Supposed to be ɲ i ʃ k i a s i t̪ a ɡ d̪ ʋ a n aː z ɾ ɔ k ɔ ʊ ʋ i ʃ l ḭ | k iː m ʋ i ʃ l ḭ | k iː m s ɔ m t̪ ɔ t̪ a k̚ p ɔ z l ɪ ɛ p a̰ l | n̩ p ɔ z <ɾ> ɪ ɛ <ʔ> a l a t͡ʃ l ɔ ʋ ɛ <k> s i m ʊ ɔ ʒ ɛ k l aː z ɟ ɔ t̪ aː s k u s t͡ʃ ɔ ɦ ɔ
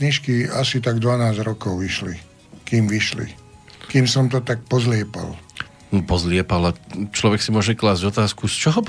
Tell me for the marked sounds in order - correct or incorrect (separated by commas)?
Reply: incorrect, incorrect, correct